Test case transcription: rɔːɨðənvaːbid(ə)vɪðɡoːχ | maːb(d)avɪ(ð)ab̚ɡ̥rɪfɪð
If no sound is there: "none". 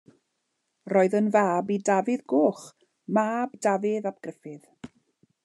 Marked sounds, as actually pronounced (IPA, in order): a, d, ð

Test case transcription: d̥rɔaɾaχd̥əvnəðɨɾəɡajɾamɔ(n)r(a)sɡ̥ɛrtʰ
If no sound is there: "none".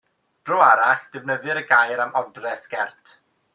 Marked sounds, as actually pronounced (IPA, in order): d, ɛ

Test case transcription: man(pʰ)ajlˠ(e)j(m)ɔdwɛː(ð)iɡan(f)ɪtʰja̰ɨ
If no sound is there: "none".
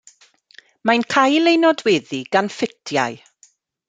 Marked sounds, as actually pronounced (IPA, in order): kʰ, e, n, ð, f

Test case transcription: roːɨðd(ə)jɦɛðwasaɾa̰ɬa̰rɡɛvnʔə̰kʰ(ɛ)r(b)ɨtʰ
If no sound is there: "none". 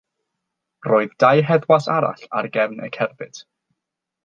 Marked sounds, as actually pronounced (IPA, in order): a, ɛ, b

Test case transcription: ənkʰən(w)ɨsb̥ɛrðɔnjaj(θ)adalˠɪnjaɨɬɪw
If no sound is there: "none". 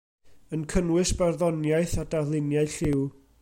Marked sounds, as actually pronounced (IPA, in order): w, θ

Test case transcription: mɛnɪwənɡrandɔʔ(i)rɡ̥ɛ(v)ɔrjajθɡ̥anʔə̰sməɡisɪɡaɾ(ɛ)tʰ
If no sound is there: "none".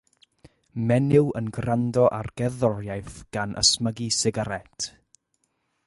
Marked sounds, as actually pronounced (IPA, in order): a, ð, ɛ

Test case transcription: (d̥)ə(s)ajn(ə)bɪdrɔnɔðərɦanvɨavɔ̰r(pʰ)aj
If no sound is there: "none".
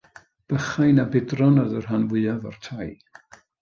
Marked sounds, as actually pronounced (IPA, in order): b̥, χ, a, tʰ

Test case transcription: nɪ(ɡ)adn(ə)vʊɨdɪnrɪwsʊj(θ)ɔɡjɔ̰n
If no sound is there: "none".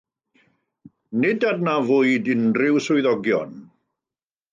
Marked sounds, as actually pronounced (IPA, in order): d, a, ð

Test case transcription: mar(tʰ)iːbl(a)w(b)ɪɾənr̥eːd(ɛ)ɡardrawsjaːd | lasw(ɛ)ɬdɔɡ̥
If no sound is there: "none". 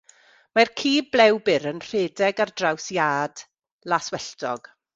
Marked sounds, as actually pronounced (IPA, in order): kʰ, ɛ, b, ɛ, ɛ

